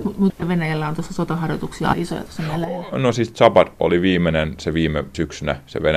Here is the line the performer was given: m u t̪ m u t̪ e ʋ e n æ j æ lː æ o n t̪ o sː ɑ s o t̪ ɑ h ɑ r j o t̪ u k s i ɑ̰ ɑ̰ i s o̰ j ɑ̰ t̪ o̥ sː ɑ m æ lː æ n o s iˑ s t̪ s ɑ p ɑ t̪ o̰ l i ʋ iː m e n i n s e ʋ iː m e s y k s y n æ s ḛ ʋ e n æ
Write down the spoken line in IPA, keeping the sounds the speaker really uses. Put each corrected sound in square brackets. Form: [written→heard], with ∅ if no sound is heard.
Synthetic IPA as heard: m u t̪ m u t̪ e ʋ e n æ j æ lː æ o n t̪ o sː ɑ s o t̪ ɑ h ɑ r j o t̪ u k s i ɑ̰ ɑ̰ i s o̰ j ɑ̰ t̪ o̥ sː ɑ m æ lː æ n o s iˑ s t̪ s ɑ p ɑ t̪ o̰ l i ʋ iː m e n [i→e] n s e ʋ iː m e s y k s y n æ s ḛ ʋ e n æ